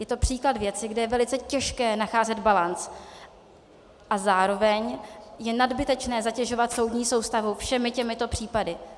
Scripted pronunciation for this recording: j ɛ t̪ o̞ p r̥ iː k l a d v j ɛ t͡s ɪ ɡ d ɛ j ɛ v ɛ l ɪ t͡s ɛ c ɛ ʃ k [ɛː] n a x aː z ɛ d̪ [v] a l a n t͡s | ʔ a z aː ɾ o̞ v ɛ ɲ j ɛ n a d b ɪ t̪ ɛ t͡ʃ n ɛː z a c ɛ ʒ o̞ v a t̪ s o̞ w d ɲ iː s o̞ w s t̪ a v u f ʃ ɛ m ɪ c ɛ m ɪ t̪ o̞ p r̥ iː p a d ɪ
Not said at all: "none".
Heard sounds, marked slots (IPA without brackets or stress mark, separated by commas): ɛː, b